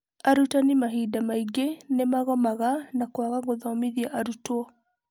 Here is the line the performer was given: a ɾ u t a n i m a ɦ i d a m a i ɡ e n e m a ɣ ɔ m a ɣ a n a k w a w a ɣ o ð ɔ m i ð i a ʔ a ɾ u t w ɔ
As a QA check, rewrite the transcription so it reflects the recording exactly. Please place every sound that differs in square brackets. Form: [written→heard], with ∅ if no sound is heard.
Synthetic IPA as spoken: a ɾ u t a n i m a ɦ i d a m a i ɡ e n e m a ɣ ɔ m a ɣ a n a k w a [w→ɣ] a ɣ o ð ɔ m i ð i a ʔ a ɾ u t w ɔ